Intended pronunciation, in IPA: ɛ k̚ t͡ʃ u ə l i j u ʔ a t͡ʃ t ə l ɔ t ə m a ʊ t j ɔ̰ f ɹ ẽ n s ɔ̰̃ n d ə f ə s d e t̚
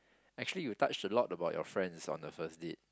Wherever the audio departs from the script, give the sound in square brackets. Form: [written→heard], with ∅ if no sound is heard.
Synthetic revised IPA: ɛ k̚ t͡ʃ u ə l i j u [ʔ→t] a t͡ʃ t ə l ɔ t ə [m→b] a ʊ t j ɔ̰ f ɹ [ẽ→ɛ̃] n s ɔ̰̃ n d ə f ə s d e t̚